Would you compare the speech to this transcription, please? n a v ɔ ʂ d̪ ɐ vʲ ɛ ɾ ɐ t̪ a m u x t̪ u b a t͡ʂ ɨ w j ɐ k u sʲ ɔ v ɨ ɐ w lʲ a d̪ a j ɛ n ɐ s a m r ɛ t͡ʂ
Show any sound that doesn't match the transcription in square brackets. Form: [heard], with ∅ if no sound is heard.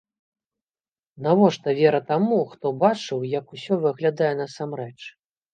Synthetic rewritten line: n a v ɔ ʂ [t̪] ɐ vʲ ɛ ɾ ɐ t̪ a m u x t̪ [ɔ] b a t͡ʂ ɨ w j ɐ k u sʲ ɔ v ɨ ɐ [ɣ] lʲ a d̪ a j ɛ n ɐ s a m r ɛ t͡ʂ